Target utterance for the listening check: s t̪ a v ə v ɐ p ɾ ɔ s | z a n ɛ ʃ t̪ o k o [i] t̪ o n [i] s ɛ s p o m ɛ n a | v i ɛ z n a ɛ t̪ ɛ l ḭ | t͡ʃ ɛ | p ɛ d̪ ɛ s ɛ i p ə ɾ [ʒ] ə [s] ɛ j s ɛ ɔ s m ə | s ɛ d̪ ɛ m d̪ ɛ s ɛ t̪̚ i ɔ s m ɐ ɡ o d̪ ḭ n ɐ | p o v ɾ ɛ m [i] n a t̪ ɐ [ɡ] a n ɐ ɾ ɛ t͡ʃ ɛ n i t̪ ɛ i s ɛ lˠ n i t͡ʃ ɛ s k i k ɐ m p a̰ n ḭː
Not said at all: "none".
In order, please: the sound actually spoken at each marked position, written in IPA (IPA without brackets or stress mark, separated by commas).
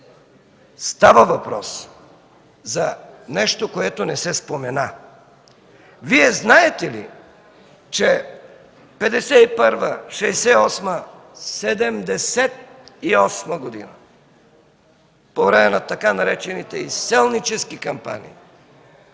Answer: ɛ, ɛ, v, ʃ, ɛ, k